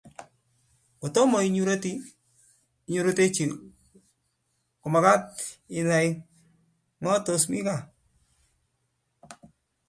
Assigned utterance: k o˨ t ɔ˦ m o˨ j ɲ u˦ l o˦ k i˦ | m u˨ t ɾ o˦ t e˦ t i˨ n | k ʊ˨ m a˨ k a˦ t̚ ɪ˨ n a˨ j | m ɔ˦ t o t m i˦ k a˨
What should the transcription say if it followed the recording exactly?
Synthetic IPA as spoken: k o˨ t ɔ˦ m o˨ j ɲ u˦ ɾ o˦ t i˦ | ɲ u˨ ɾ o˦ t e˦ t͡ʃ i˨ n | k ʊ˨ m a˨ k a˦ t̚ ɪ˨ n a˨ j | ŋ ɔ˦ t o s m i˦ k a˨